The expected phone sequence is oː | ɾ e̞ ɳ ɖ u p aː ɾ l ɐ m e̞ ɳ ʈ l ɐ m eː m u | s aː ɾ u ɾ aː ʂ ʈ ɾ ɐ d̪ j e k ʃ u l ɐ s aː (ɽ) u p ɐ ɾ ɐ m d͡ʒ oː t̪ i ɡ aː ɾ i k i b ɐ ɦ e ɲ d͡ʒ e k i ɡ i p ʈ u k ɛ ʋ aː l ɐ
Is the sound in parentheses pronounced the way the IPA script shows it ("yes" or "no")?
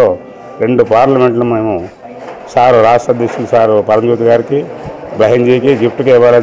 no